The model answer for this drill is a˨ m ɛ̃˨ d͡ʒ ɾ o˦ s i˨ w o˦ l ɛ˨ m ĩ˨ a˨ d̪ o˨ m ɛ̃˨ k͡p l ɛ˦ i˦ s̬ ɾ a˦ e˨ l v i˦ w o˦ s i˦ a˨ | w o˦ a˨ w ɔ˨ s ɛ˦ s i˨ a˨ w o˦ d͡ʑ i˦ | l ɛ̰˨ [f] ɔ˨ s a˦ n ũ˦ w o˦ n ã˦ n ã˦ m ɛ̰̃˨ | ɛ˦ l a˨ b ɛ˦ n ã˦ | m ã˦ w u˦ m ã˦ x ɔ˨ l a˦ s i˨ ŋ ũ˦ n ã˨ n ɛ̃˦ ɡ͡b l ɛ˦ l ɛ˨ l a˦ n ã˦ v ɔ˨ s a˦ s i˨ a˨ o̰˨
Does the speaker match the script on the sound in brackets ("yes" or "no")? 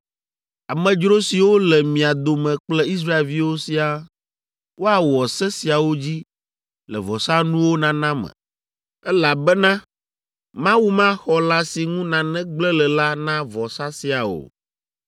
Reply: no